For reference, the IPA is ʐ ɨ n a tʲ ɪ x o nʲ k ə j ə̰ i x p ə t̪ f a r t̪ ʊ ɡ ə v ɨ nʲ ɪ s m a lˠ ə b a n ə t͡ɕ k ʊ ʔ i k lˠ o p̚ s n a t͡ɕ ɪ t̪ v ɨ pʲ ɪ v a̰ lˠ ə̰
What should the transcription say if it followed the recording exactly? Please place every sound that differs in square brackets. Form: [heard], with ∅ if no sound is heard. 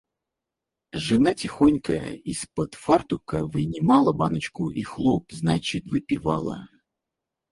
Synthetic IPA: ʐ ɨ n a tʲ ɪ x o nʲ k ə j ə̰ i [s] p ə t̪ f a r t̪ ʊ [k] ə v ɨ nʲ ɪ [∅] m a lˠ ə b a n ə t͡ɕ k ʊ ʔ i [x] lˠ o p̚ [z] n a t͡ɕ ɪ t̪ v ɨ pʲ ɪ v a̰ lˠ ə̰